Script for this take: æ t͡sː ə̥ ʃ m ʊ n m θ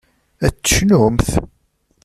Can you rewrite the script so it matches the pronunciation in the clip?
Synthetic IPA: æ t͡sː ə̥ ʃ n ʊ m θ